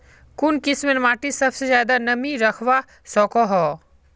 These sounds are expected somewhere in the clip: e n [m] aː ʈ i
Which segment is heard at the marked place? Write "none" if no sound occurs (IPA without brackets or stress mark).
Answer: m